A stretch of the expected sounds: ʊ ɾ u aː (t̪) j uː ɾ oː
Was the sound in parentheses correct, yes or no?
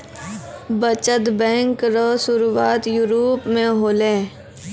yes